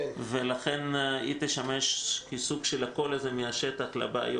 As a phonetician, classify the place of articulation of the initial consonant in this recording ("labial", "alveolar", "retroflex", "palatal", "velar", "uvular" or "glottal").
labial